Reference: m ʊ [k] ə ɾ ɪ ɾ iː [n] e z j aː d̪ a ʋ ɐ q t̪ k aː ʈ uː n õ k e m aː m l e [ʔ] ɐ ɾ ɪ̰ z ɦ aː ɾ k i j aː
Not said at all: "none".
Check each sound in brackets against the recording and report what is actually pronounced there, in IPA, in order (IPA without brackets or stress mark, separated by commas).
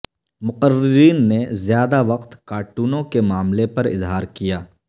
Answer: q, nː, p